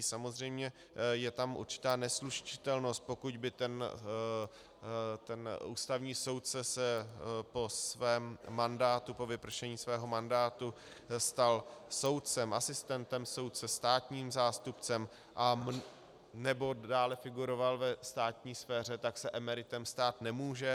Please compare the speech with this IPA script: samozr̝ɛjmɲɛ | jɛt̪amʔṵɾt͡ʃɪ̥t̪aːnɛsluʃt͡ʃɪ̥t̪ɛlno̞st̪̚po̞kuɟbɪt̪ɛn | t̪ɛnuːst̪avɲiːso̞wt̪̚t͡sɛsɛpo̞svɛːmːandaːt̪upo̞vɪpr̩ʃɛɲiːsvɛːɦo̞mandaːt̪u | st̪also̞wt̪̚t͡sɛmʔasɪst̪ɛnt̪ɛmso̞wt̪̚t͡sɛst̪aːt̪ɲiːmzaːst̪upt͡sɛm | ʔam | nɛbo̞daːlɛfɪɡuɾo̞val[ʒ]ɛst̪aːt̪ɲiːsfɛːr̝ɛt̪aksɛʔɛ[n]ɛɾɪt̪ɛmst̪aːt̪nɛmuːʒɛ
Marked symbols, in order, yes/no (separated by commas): no, no